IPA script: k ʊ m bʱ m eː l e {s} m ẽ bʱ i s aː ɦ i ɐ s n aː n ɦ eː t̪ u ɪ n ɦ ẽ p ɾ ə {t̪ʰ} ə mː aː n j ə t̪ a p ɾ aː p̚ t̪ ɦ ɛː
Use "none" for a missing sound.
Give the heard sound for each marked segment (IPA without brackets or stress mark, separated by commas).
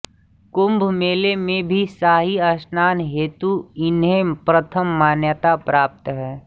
none, t̪ʰ